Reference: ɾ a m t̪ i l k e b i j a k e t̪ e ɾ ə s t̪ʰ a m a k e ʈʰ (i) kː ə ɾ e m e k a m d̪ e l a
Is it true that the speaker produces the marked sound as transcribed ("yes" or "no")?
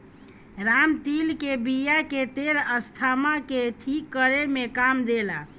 yes